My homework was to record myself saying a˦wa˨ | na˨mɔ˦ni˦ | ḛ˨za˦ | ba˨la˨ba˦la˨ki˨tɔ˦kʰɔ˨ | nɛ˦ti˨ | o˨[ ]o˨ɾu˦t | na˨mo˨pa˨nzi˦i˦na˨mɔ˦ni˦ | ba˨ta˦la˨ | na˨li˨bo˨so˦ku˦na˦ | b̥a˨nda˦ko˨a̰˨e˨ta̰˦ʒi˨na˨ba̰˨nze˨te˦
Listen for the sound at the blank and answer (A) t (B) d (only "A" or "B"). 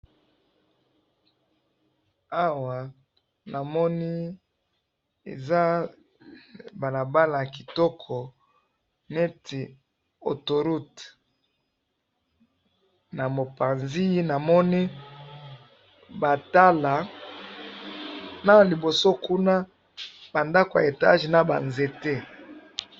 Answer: A